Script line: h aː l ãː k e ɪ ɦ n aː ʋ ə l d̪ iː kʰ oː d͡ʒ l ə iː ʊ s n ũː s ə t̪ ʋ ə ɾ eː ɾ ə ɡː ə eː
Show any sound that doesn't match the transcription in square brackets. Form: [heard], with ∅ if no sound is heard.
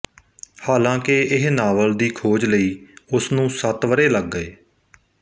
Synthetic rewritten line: h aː l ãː k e ɪ ɦ n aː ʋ ə l d̪ iː kʰ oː d͡ʒ l ə iː ʊ s n ũː s ə t̪ ʋ ə ɾ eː [l] ə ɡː ə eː